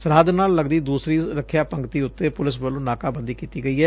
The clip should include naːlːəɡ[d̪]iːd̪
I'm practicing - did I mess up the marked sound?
no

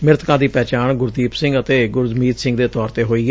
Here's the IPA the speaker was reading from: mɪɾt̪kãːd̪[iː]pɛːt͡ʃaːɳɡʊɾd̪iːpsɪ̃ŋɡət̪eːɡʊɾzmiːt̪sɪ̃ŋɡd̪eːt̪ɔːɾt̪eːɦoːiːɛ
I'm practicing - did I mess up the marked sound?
no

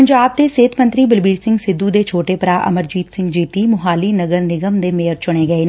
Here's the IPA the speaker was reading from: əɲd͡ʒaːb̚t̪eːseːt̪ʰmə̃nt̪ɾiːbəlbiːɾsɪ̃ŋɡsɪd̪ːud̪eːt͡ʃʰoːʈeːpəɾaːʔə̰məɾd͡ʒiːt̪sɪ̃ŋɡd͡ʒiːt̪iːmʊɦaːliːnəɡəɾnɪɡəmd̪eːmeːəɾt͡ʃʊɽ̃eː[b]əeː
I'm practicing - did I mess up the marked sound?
yes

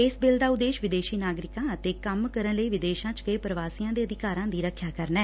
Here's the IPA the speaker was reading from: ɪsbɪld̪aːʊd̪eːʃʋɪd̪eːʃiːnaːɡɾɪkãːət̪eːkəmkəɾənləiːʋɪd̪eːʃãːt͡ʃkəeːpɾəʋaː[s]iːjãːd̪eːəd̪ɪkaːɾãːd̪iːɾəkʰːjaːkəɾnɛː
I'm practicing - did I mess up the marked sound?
no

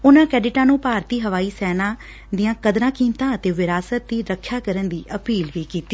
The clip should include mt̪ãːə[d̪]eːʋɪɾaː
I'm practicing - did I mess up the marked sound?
yes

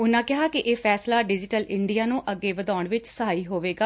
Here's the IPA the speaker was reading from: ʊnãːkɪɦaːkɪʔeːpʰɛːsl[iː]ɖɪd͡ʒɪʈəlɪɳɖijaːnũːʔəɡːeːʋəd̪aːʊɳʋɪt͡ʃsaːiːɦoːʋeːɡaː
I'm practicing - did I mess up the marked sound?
yes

